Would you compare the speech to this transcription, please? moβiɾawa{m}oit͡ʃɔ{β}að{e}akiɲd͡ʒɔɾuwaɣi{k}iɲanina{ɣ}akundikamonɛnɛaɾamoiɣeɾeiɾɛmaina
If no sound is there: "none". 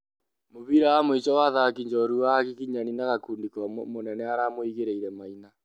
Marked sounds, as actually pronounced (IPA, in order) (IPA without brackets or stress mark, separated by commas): m, w, a, k, ɣ